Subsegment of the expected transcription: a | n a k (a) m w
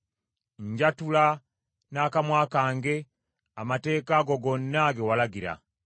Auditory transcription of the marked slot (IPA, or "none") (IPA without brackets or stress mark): a